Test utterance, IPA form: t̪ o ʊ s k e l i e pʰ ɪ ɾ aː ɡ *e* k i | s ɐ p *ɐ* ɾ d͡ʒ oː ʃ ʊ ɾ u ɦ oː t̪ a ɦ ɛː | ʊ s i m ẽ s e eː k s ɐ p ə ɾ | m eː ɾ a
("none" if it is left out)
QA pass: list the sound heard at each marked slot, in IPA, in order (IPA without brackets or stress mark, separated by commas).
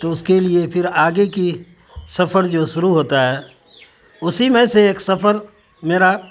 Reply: e, ə